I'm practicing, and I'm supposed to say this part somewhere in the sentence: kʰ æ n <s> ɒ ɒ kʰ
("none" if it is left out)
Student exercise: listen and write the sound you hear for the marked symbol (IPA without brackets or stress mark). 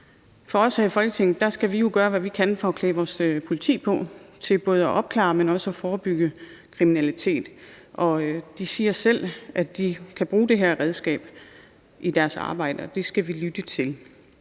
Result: f